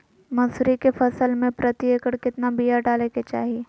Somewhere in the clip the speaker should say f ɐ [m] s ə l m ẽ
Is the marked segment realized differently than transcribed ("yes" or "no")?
yes